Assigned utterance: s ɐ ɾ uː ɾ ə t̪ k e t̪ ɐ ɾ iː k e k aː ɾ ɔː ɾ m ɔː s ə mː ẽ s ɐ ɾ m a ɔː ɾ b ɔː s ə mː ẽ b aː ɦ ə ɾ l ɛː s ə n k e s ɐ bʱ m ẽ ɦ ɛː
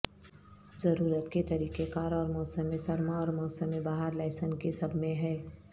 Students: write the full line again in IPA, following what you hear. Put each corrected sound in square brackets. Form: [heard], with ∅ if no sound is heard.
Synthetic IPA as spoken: [z] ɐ ɾ uː ɾ ə t̪ k e t̪ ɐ ɾ iː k e k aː ɾ ɔː ɾ m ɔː s ə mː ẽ s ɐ ɾ m a ɔː ɾ [m] ɔː s ə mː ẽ b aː ɦ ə ɾ l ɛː s ə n k e s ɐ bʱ m ẽ ɦ ɛː